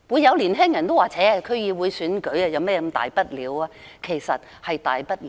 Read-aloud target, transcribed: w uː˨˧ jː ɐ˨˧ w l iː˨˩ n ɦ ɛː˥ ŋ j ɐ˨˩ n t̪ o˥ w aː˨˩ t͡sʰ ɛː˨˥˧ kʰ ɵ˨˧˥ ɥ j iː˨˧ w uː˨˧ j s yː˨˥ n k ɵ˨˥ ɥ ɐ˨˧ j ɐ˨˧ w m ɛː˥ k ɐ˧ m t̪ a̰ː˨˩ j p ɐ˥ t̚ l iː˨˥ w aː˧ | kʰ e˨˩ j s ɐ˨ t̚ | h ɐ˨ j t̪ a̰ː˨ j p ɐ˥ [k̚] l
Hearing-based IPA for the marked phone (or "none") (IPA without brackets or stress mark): t̚